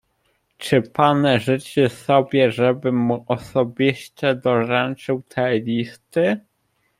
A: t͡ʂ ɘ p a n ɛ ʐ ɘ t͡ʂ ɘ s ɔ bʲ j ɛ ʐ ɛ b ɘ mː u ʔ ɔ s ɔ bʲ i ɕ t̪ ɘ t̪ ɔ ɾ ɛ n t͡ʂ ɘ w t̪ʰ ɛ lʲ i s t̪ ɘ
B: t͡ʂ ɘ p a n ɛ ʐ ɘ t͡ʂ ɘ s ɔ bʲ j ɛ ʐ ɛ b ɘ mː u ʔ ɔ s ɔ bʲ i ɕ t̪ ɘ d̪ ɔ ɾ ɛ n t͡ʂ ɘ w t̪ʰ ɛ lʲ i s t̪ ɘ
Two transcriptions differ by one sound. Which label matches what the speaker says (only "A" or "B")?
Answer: B